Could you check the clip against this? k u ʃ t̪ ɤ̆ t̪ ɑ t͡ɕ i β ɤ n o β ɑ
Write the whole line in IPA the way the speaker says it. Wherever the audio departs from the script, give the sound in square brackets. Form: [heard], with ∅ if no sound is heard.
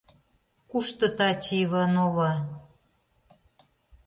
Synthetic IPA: k u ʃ t̪ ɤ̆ t̪ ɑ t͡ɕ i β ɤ n o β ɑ